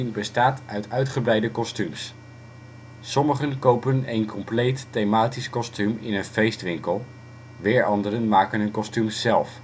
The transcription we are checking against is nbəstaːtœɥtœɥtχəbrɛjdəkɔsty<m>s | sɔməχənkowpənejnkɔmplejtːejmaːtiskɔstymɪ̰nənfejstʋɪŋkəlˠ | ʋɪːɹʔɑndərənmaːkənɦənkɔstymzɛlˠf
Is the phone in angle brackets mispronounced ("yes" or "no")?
no